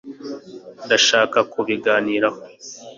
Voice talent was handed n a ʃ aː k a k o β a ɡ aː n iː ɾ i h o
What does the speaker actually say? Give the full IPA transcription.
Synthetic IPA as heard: d a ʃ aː k a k u β i ɡ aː n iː ɾ a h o